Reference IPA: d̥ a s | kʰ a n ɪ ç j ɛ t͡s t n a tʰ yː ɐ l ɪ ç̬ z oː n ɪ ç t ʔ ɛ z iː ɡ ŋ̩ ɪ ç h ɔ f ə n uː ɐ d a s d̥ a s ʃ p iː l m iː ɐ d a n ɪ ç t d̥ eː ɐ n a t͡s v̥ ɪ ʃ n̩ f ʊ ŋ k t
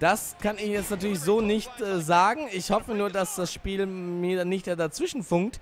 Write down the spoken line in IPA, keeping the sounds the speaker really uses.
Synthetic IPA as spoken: d̥ a s | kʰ a n ɪ ç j ɛ t͡s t n a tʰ yː ɐ l ɪ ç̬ z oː n ɪ ç t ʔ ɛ z aː ɡ ŋ̩ ɪ ç h ɔ f ə n uː ɐ d a s d̥ a s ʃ p iː l m iː ɐ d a n ɪ ç t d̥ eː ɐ d a t͡s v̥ ɪ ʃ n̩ f ʊ ŋ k t

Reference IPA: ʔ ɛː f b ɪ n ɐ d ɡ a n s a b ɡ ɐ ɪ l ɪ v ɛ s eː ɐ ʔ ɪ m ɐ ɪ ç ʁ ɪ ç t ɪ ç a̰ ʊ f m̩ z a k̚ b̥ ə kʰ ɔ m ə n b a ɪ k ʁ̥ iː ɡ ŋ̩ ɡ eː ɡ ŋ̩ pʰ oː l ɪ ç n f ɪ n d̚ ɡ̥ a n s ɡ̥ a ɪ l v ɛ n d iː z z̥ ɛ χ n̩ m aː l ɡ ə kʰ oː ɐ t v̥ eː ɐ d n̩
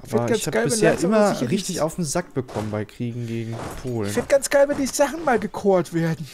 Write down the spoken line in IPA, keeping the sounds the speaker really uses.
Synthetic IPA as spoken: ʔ aː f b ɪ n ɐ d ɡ a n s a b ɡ a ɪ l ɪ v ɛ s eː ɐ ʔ ɪ m ɐ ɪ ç ʁ ɪ ç t ɪ ç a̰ ʊ f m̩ z a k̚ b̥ ə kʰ ɔ m ə n b a ɪ k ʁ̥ iː ɡ ŋ̩ ɡ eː ɡ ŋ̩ pʰ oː l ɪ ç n f ɪ n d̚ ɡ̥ a n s ɡ̥ a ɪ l v ɛ n d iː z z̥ a χ n̩ m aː l ɡ ə kʰ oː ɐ t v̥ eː ɐ d n̩

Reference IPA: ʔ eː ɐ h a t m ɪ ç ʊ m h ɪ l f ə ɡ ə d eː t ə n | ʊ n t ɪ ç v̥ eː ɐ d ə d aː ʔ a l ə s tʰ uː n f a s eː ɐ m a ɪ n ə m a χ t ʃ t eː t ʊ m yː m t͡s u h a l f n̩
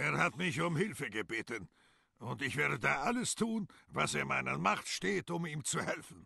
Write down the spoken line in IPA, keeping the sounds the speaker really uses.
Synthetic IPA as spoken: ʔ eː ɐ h a t m ɪ ç ʊ m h ɪ l f ə ɡ ə b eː t ə n | ʊ n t ɪ ç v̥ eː ɐ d ə d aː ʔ a l ə s tʰ uː n v a s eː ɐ m a ɪ n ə m a χ t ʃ t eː t ʊ m iː m t͡s u h ɛ l f n̩

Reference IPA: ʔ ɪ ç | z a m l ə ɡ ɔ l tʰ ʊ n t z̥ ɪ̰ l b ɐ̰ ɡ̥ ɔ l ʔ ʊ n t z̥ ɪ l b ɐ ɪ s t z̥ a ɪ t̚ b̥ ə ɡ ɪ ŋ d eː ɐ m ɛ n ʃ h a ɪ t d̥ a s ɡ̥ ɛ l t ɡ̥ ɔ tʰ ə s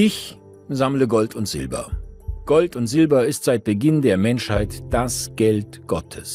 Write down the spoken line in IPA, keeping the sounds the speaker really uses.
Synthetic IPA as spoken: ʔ ɪ ç | z a m l ə ɡ ɔ l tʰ ʊ n t z̥ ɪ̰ l b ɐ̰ ɡ̥ ɔ l t ʊ n t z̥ ɪ l b ɐ ɪ s t z̥ a ɪ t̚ b̥ ə ɡ ɪ n d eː ɐ m ɛ n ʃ h a ɪ t d̥ a s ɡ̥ ɛ l t ɡ̥ ɔ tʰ ə s

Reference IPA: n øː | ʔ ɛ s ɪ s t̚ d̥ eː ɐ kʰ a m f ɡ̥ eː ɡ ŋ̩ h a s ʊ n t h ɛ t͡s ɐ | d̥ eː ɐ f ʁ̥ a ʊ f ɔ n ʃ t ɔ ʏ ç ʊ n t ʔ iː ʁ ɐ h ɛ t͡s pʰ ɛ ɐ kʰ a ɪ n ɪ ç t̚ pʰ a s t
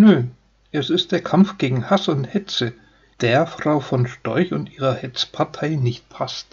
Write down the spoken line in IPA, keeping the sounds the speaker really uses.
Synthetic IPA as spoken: n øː | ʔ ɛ s ɪ s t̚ d̥ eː ɐ kʰ a m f ɡ̥ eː ɡ ŋ̩ h a s ʊ n t h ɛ t͡s ə | d̥ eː ɐ f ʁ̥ a ʊ f ɔ n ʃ t ɔ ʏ ç ʊ n t ʔ iː ʁ ɐ h ɛ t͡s pʰ a ɐ tʰ a ɪ n ɪ ç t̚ pʰ a s t

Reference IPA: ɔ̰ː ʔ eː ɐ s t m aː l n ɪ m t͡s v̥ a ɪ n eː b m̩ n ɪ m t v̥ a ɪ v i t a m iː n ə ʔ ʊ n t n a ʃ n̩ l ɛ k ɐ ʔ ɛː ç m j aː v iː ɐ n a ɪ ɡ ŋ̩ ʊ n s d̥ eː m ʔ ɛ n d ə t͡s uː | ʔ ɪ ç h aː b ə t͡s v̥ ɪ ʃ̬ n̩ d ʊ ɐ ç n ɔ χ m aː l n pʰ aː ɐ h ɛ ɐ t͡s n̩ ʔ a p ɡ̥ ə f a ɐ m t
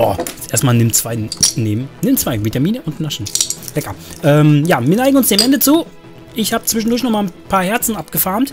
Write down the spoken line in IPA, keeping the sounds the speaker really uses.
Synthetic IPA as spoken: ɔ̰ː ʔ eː ɐ s t m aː l n ɪ m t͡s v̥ a ɪ n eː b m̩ n ɪ m t͡s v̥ a ɪ v i t a m iː n ə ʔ ʊ n t n a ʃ n̩ l ɛ k ɐ ʔ ɛː m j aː v iː ɐ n a ɪ ɡ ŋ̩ ʊ n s d̥ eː m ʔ ɛ n d ə t͡s uː | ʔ ɪ ç h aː b ə t͡s v̥ ɪ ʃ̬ n̩ d ʊ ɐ ç n ɔ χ m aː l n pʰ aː ɐ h ɛ ɐ t͡s n̩ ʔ a p ɡ̥ ə f a ɐ m t

